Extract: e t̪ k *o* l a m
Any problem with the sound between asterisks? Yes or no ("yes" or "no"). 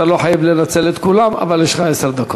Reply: yes